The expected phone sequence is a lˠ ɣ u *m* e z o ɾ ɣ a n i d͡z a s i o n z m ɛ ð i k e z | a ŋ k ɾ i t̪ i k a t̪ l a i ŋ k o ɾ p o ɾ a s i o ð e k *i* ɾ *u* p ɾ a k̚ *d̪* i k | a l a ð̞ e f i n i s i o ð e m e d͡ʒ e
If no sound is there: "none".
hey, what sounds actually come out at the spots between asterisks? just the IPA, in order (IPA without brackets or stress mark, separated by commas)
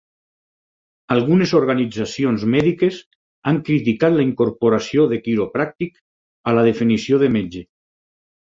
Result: n, i, o, t̪